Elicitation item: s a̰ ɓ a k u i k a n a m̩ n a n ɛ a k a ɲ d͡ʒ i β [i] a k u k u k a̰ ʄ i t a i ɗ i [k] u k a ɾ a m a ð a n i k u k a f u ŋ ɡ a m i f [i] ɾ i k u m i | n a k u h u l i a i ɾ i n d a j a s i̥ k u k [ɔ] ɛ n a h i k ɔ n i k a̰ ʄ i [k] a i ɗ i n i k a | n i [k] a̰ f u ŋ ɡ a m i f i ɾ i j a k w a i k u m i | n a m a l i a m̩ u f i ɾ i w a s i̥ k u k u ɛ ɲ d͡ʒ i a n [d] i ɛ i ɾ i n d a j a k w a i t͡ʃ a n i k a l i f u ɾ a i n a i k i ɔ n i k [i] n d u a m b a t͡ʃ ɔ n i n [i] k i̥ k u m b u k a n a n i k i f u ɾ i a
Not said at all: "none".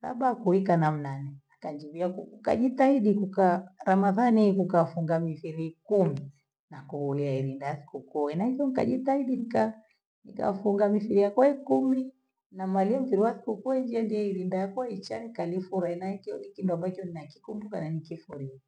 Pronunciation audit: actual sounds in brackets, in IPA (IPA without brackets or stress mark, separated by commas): i, k, i, u, t, k, d, i, a